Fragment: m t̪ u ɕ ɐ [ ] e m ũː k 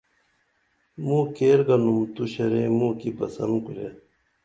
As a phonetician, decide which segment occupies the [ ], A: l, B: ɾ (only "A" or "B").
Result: B